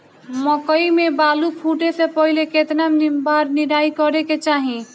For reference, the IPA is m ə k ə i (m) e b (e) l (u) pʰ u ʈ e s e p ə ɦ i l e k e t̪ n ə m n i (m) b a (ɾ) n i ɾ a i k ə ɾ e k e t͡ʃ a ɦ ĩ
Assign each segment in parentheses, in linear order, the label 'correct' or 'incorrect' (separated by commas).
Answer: correct, incorrect, correct, correct, correct